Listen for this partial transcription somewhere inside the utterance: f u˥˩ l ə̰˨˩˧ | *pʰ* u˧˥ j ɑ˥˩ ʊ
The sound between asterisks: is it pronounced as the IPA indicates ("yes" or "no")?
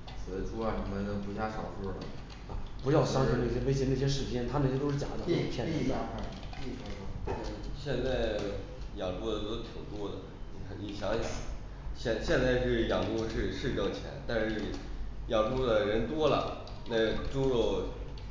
no